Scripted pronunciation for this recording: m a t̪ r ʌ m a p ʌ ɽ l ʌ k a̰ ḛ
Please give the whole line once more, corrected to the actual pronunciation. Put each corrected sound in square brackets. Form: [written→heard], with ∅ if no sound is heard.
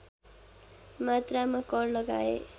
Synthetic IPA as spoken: m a t̪ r [ʌ→a] m a [p→k] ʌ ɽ l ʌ [k→ɡ] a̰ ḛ